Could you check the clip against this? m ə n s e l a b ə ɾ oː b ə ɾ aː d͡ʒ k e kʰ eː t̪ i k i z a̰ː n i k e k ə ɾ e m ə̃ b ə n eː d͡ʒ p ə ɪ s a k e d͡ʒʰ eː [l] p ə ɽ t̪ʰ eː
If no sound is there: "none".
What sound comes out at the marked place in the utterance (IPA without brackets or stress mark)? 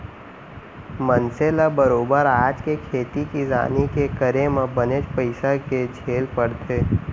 l